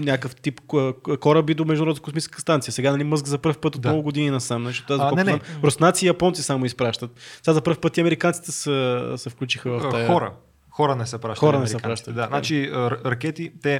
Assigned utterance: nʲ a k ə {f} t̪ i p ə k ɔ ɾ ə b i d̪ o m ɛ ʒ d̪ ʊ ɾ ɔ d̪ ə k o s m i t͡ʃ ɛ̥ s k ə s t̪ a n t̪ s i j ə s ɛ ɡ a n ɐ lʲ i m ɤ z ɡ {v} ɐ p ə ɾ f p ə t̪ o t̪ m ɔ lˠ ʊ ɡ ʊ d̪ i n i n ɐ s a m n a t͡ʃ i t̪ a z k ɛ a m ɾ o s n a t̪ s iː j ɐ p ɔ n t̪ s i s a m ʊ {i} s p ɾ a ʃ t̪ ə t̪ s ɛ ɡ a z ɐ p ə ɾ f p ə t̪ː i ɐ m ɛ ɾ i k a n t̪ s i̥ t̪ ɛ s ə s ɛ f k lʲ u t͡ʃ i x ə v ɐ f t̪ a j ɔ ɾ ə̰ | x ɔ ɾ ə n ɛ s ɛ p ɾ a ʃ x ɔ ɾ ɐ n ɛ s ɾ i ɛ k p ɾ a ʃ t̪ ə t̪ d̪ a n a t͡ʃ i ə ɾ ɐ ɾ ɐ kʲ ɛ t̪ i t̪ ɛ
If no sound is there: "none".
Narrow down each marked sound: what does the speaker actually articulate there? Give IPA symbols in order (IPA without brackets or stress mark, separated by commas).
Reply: f, z, i